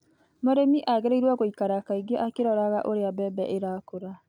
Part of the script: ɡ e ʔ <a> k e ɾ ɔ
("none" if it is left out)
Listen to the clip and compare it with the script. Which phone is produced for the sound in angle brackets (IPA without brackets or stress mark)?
a